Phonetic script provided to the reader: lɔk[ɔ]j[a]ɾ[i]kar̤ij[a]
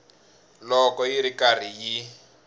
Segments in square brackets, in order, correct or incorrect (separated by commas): correct, incorrect, correct, incorrect